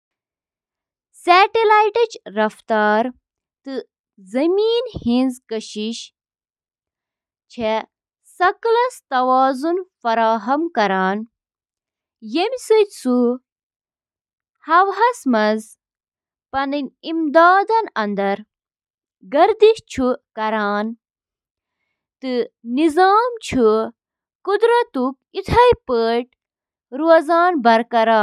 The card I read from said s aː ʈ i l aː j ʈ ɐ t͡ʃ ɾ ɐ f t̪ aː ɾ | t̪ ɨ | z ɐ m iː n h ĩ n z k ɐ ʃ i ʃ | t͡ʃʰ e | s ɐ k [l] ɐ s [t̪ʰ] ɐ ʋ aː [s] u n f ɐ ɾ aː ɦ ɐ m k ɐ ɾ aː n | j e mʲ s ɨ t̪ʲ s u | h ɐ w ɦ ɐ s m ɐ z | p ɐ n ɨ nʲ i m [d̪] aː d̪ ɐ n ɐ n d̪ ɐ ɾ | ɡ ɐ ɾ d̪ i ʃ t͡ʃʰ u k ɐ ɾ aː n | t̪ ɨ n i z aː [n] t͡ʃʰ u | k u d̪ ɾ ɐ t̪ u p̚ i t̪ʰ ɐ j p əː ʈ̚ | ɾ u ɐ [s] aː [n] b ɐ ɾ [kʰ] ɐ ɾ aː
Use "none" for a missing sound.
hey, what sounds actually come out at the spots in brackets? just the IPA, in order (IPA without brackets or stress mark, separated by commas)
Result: l, t̪, z, d̪, m, z, n, k